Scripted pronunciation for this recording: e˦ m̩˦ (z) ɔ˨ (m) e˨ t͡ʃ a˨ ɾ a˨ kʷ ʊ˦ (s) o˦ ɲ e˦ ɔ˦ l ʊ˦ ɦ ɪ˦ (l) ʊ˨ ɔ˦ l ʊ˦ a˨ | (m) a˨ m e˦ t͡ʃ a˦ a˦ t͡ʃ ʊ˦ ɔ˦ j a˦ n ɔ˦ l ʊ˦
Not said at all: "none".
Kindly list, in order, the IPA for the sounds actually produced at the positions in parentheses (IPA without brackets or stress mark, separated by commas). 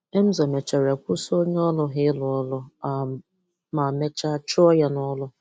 z, m, s, l, m